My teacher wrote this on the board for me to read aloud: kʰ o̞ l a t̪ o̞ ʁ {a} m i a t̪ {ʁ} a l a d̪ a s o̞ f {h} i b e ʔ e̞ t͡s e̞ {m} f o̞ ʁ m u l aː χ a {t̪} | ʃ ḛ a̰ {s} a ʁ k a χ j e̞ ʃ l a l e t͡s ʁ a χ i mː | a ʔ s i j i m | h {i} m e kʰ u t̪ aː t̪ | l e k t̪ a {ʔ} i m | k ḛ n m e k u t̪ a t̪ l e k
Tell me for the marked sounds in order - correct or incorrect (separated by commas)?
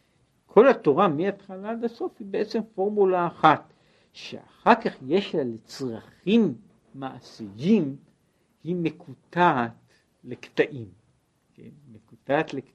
correct, incorrect, correct, correct, correct, incorrect, correct, correct